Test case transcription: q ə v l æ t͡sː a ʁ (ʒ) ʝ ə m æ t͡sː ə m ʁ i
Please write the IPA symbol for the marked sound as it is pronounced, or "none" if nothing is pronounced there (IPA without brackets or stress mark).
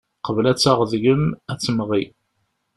ð